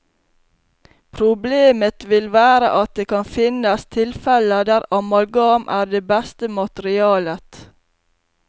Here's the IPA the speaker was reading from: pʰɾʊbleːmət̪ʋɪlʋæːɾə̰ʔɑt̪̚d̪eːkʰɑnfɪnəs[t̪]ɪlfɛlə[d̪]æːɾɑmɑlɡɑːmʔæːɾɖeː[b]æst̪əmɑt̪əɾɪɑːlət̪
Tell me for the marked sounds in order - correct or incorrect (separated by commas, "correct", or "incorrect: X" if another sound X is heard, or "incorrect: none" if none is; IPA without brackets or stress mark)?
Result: incorrect: t̪ʰ, correct, correct